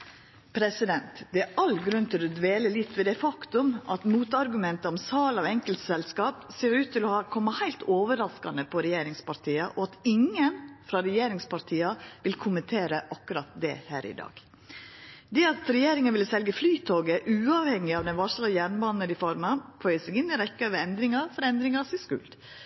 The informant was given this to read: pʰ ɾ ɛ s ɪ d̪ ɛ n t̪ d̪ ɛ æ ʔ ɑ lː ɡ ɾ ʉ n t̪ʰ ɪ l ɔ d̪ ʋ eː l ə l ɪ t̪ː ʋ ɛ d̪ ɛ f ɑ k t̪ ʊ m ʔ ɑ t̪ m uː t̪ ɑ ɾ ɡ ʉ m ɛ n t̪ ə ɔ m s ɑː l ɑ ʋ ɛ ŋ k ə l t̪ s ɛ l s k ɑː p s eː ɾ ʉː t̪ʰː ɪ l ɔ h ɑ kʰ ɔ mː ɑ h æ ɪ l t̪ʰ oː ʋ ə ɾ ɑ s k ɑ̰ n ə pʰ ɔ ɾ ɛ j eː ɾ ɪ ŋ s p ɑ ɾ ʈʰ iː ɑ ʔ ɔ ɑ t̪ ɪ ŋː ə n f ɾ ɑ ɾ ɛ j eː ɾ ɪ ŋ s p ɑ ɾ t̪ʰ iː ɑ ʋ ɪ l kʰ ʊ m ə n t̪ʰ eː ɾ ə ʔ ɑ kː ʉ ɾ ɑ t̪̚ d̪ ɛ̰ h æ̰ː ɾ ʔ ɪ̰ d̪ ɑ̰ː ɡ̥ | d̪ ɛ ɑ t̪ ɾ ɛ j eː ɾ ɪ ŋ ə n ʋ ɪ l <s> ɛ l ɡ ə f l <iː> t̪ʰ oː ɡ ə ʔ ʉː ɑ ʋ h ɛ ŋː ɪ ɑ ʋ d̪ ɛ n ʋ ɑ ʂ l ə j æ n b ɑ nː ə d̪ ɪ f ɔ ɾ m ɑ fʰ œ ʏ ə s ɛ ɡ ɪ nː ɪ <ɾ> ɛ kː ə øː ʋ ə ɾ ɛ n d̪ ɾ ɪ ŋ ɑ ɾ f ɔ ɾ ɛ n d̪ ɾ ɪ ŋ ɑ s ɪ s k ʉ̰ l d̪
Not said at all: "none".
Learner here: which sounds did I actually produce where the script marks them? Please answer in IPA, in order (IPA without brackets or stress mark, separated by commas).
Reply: s, yː, ɾ